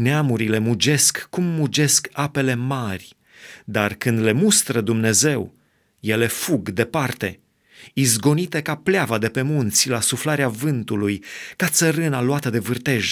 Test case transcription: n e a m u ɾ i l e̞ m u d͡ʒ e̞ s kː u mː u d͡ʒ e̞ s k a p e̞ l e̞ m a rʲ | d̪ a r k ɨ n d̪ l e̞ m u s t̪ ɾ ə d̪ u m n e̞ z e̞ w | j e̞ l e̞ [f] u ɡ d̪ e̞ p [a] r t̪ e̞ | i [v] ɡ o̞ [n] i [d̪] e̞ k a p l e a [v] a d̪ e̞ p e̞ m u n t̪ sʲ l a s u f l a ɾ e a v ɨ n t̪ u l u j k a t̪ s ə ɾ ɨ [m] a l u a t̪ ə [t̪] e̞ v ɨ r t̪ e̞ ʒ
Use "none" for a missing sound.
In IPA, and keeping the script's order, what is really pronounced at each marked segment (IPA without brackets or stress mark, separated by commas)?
f, a, z, n, t̪, v, n, d̪